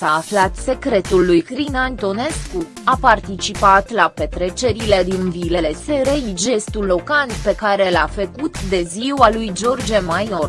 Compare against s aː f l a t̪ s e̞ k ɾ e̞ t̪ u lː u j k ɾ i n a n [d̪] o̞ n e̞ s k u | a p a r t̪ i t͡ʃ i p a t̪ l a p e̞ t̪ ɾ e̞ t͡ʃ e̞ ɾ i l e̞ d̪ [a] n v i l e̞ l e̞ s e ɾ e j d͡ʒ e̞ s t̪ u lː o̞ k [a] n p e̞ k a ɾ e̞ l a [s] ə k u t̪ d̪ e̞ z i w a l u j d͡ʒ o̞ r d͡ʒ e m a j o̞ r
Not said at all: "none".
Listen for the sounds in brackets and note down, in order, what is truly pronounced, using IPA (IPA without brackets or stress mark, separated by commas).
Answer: t̪, i, a, f